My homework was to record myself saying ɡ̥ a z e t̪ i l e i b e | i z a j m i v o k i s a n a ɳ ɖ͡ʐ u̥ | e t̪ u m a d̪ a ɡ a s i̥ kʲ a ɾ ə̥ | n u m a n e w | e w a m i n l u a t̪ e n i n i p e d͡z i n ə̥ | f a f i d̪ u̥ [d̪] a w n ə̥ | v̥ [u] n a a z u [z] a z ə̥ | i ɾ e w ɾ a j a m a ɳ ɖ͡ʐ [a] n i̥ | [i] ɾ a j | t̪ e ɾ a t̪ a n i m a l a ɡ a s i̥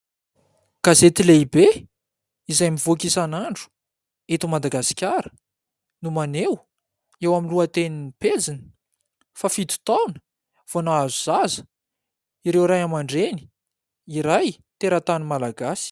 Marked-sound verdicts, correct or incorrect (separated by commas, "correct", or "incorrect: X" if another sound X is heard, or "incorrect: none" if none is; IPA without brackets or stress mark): incorrect: t̪, incorrect: o, correct, incorrect: e, correct